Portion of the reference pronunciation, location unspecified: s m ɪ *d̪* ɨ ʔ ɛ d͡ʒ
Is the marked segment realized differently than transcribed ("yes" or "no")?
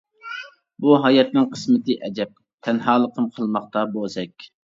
yes